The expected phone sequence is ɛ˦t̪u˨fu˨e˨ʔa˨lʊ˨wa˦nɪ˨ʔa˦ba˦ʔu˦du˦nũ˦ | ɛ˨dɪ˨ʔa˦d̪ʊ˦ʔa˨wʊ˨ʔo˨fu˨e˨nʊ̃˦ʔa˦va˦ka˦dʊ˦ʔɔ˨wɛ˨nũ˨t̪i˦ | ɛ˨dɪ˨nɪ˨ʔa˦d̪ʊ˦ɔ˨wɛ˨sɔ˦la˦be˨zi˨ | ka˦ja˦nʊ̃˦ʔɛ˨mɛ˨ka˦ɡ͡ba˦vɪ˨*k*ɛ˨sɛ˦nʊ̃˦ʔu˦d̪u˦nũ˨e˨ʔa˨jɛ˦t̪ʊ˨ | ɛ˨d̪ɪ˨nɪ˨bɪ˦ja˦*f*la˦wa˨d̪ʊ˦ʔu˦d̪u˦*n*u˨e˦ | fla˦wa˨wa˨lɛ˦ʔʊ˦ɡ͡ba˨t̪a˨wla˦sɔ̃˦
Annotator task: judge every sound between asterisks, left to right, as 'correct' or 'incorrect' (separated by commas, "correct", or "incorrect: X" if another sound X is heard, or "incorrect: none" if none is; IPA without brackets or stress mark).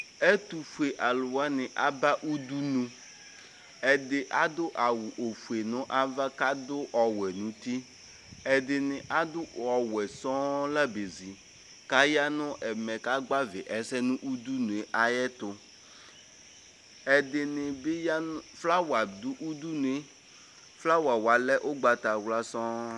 incorrect: ʔ, correct, correct